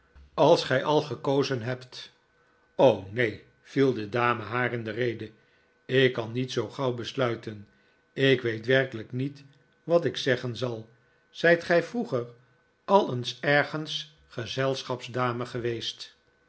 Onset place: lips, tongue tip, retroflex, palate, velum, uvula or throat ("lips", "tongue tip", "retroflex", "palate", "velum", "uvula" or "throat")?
tongue tip